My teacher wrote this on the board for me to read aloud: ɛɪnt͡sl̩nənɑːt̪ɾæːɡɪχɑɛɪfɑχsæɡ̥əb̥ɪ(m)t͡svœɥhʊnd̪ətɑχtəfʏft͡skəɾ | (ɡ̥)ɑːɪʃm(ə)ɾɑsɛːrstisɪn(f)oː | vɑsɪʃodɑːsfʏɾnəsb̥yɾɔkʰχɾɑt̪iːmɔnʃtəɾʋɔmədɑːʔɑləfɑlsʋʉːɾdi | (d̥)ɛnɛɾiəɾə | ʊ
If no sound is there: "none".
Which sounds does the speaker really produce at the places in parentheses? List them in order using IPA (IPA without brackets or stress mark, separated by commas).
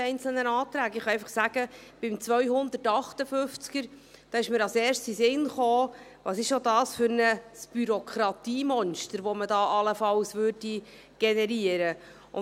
m, d̥, ə, χ, ɡ̥